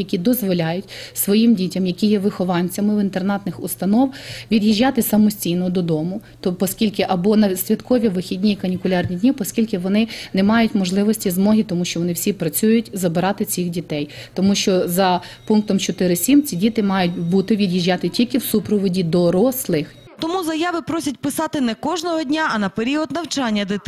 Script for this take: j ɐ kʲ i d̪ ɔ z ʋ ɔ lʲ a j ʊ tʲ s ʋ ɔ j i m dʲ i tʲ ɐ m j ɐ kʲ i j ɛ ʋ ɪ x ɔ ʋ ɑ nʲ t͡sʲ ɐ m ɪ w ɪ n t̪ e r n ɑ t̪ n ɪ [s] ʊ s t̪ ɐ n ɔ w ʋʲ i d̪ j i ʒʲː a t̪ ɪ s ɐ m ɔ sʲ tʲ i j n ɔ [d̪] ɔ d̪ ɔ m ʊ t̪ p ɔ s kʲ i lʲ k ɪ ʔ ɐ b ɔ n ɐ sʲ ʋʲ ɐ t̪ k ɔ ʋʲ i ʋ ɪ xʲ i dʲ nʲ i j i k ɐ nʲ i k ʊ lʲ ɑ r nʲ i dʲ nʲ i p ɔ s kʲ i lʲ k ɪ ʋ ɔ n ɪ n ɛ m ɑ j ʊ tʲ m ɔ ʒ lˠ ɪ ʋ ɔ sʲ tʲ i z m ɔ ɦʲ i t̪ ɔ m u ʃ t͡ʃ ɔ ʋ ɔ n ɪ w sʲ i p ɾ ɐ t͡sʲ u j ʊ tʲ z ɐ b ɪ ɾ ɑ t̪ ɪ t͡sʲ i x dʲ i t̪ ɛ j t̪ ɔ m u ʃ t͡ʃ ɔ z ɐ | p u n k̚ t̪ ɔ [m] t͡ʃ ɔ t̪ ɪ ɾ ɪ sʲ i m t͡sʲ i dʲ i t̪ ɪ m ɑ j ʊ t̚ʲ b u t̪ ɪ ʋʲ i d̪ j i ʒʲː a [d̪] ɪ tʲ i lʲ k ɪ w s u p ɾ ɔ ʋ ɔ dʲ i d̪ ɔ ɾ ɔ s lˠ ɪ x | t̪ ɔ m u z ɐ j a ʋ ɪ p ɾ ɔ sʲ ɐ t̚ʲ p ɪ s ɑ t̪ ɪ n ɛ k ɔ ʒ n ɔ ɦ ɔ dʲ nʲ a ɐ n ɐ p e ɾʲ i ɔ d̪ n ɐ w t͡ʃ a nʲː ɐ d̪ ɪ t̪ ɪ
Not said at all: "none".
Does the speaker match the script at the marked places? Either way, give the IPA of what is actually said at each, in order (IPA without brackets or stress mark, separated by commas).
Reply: x, d̪, m, t̪